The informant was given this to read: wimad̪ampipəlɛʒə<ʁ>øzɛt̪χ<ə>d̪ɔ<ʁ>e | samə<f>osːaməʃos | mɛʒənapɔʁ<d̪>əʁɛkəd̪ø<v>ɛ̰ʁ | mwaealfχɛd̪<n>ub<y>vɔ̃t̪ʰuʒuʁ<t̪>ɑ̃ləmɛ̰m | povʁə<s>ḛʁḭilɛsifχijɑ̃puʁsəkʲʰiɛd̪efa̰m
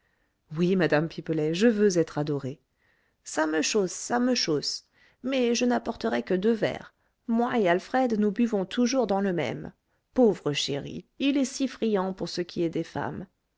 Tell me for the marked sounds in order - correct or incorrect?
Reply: incorrect, incorrect, correct, incorrect, incorrect, correct, correct, correct, incorrect, incorrect

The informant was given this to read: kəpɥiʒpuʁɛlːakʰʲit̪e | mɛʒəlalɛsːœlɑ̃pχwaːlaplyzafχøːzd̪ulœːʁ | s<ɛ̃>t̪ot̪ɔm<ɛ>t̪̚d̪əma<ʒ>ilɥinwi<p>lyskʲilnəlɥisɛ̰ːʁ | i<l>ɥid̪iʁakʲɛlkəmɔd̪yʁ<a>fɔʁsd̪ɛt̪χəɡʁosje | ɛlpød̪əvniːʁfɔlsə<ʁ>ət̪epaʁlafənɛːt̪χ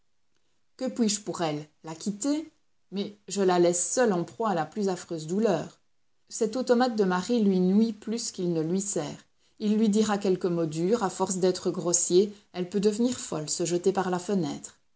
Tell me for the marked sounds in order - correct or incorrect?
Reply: incorrect, incorrect, incorrect, correct, incorrect, correct, incorrect

